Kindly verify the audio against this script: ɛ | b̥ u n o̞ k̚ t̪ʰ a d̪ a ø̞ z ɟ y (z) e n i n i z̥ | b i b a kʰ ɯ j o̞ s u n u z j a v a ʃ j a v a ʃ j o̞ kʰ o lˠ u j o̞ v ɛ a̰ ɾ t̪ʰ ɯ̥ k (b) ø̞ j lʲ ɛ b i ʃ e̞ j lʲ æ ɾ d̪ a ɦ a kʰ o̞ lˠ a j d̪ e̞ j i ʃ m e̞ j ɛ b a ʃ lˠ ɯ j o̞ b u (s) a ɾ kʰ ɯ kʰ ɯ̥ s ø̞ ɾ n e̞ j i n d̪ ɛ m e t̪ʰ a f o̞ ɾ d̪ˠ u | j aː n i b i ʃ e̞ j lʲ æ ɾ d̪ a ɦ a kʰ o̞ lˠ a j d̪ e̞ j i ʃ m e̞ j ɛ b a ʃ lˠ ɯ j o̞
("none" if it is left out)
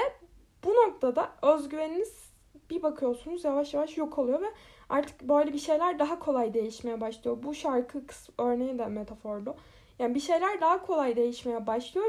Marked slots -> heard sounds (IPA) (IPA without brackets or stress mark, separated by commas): v, b, ʃ